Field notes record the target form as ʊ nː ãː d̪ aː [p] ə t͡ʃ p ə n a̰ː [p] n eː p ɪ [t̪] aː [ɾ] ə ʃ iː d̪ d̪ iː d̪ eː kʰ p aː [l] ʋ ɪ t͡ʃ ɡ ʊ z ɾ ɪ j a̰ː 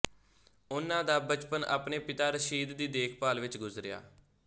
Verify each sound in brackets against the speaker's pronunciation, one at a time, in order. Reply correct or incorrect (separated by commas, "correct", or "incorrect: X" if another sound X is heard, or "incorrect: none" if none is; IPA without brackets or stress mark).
incorrect: b, correct, correct, correct, correct